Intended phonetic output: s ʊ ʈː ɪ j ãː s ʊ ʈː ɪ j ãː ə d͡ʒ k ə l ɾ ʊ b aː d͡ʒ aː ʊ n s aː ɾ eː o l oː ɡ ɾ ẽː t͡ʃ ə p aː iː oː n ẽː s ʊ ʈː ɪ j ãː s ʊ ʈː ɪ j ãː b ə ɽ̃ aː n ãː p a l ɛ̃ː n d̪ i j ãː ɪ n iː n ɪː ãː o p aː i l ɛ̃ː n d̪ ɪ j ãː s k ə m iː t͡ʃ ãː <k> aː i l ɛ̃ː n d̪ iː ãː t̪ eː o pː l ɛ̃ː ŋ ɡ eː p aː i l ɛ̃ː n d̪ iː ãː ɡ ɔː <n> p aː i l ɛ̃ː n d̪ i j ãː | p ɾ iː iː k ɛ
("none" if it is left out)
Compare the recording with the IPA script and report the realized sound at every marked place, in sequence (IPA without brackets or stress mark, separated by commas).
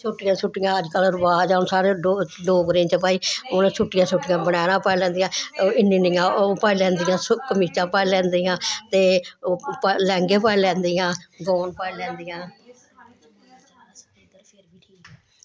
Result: p, n